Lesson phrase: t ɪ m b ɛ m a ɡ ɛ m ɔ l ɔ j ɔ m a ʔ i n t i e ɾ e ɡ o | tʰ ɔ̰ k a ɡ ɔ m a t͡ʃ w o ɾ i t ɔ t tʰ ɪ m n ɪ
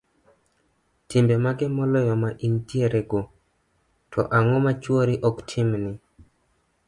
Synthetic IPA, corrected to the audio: t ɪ m b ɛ m a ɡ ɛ m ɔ l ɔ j ɔ m a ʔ i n t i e ɾ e ɡ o | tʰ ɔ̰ ʔ a ŋ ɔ m a t͡ʃ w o ɾ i ʔ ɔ k tʰ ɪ m n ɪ